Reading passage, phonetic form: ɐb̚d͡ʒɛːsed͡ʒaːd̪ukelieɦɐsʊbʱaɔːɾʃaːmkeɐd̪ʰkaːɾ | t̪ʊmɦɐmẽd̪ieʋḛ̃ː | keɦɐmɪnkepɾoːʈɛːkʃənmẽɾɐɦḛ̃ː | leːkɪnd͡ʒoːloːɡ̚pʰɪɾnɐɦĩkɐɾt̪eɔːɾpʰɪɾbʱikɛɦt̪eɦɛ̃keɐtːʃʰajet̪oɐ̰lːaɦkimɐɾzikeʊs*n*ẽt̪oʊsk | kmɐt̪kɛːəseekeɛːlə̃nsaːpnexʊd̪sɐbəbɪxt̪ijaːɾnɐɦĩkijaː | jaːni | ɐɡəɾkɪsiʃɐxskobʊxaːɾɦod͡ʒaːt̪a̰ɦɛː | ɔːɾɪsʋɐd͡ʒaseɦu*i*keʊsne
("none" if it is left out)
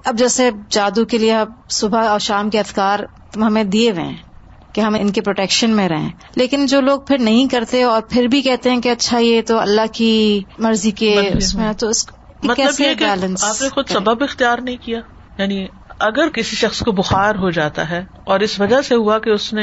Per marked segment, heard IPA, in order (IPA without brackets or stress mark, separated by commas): m, a